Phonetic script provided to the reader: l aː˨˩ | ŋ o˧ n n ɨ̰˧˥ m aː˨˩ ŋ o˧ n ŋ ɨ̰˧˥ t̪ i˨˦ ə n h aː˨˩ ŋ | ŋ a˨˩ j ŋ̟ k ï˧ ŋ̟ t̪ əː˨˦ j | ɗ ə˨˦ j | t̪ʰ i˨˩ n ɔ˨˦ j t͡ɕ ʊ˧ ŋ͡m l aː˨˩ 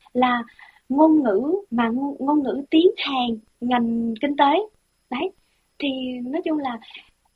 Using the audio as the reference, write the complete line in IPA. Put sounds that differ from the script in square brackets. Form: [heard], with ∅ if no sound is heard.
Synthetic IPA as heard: l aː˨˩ | ŋ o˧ n [ŋ] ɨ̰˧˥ m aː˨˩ ŋ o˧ n ŋ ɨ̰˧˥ t̪ i˨˦ ə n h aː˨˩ ŋ | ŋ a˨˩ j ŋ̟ k ï˧ ŋ̟ t̪ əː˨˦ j | ɗ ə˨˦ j | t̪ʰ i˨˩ n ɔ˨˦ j t͡ɕ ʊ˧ ŋ͡m l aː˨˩